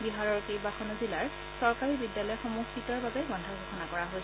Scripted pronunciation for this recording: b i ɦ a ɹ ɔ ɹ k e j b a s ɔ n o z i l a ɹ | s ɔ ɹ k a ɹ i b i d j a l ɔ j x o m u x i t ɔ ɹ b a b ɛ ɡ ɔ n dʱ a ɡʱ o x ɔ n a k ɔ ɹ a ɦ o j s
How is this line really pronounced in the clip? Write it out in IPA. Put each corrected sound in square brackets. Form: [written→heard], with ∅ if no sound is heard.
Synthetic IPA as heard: b i ɦ a ɹ ɔ ɹ k e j b a [s→x] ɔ n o z i l a ɹ | s ɔ ɹ k a ɹ i b i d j a l ɔ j x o m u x i t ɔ ɹ b a b ɛ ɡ ɔ n dʱ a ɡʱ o x ɔ n a k ɔ ɹ a ɦ o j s